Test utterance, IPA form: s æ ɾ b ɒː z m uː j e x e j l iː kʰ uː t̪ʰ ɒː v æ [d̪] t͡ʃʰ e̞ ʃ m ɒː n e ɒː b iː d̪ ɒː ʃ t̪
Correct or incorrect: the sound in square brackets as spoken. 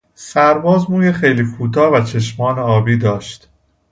incorrect: none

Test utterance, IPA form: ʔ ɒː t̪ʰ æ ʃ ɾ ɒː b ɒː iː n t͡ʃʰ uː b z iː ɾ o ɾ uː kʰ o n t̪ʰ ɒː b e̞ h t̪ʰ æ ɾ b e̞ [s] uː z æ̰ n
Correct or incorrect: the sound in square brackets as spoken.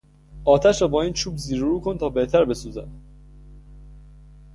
correct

